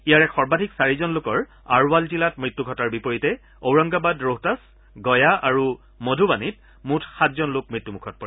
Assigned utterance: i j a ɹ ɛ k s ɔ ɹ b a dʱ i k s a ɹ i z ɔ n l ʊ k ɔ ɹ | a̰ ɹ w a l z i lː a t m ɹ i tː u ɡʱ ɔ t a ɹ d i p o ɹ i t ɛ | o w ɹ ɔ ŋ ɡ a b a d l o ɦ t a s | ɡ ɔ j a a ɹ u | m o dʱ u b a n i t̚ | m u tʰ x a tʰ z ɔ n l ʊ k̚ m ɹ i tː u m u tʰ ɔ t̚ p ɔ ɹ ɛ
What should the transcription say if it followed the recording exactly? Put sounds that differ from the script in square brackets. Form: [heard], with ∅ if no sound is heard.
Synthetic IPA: i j a ɹ ɛ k [x] ɔ ɹ b a dʱ i k s a ɹ i z ɔ n l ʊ k ɔ ɹ | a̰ ɹ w a l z i [l] a t m ɹ i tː u ɡʱ ɔ t a ɹ [b] i p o ɹ i t ɛ | o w ɹ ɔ ŋ ɡ a b a d [ɹ] o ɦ t a s | ɡ ɔ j a a ɹ u | m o dʱ u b a n i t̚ | m u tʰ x a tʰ z ɔ n l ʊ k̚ m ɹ i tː u m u [kʰ] ɔ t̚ p ɔ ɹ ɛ